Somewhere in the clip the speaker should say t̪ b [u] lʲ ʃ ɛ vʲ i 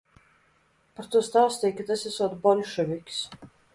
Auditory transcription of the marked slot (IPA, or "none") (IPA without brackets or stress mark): ɔ